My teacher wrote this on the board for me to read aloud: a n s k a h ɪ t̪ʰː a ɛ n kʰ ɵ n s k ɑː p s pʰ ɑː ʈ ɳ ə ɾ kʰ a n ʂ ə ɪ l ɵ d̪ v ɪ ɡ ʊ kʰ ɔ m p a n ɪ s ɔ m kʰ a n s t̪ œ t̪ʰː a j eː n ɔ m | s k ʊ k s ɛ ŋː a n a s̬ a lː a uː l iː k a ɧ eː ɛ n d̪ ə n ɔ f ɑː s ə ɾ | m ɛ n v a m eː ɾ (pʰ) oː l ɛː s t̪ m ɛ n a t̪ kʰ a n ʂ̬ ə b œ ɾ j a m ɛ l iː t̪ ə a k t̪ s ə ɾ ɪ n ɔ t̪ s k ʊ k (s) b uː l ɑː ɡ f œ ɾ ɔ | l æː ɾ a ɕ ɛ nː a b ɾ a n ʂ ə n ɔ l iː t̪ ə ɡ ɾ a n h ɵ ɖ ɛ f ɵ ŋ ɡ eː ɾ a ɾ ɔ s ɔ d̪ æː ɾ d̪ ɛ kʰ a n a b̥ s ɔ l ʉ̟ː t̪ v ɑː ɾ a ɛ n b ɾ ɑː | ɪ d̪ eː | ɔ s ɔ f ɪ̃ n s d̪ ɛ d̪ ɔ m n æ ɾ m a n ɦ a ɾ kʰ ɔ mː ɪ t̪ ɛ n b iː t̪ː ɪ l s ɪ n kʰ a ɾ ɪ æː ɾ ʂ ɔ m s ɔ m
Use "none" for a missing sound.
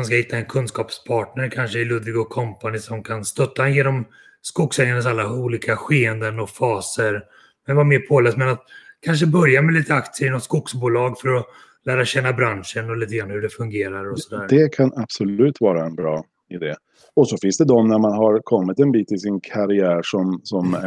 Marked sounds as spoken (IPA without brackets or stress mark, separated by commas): pʰ, s